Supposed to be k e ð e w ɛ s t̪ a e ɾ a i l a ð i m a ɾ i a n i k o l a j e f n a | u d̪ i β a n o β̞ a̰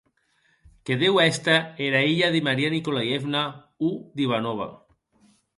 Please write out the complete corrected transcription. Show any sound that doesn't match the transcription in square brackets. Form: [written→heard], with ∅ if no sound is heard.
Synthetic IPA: k e ð e w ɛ s t̪ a e ɾ a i [l→ʎ] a ð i m a ɾ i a n i k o l a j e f n a | u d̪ i β a n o β̞ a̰